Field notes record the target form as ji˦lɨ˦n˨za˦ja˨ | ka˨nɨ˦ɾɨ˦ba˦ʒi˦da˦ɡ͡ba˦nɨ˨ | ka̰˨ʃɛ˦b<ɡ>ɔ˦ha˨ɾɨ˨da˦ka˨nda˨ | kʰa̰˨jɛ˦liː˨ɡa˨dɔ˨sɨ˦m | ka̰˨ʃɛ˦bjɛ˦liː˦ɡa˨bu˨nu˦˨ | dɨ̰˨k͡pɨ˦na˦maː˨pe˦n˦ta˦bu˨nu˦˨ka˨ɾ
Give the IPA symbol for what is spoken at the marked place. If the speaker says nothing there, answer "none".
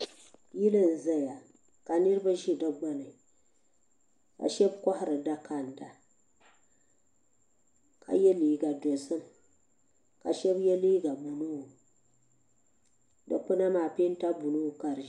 k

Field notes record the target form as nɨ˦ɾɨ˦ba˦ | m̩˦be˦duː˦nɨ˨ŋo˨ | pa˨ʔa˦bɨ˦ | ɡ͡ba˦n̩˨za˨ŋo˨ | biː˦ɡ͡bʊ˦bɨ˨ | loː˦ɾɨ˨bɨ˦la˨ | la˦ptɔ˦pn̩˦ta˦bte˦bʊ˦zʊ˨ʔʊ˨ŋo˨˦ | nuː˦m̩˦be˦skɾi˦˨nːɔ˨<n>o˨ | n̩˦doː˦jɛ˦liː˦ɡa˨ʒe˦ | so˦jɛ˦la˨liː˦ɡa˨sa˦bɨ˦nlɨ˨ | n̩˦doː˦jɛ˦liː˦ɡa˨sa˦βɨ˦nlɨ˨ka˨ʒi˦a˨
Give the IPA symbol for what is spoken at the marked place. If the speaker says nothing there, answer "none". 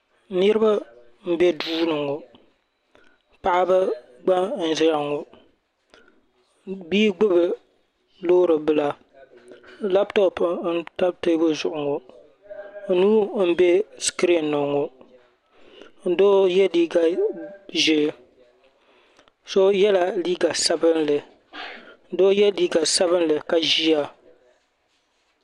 ŋ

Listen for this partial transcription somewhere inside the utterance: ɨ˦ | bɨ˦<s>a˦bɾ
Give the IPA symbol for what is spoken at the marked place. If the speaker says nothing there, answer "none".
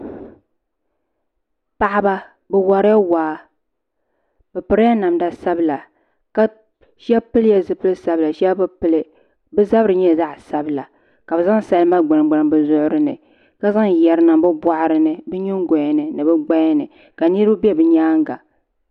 z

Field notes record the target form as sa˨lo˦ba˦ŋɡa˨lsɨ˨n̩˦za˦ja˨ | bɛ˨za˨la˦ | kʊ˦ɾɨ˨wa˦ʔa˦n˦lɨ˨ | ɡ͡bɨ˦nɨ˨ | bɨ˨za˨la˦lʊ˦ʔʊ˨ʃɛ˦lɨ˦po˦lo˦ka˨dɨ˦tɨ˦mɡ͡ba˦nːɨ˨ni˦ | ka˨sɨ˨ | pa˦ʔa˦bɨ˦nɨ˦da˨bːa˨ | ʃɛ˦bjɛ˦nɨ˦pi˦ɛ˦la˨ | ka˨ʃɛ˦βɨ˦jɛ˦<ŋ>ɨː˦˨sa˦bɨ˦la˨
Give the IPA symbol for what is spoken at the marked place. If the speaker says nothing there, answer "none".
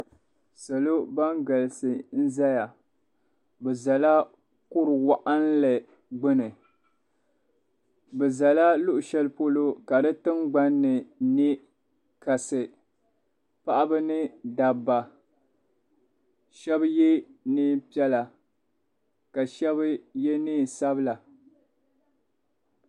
n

